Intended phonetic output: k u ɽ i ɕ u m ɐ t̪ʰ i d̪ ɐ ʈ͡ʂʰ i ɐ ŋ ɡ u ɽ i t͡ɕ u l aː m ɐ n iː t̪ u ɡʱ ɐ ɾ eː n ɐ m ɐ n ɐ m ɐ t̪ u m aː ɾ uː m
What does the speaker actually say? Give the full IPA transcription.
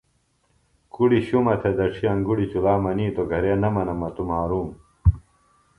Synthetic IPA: k u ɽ i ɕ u m ɐ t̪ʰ e d̪ ɐ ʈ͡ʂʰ i ɐ ŋ ɡ u ɽ i t͡ɕ u l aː m ɐ n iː t̪ o ɡʱ ɐ ɾ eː n ɐ m ɐ n ɐ m ɐ t̪ u m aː ɾ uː m